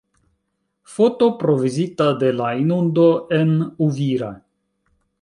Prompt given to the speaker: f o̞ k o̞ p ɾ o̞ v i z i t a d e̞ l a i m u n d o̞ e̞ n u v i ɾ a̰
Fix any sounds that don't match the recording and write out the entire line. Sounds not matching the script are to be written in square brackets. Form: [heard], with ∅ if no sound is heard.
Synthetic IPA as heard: f o̞ [t] o̞ p ɾ o̞ v i z i t a d e̞ l a i [n] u n d o̞ e̞ n u v i ɾ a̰